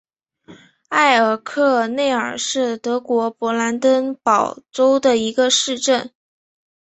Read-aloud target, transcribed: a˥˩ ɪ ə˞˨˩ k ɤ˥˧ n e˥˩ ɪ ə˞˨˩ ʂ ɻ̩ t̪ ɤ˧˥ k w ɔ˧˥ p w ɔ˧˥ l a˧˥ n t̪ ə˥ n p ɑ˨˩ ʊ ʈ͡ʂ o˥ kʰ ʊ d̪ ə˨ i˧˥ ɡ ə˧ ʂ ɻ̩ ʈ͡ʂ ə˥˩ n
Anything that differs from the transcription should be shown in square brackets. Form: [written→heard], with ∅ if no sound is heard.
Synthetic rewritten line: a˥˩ ɪ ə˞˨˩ [k→kʰ] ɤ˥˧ n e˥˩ ɪ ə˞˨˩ ʂ ɻ̩ t̪ ɤ˧˥ k w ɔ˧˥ p w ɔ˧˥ l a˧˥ n t̪ ə˥ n p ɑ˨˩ ʊ ʈ͡ʂ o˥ [kʰ→∅] ʊ d̪ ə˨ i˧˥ ɡ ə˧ ʂ ɻ̩ ʈ͡ʂ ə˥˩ n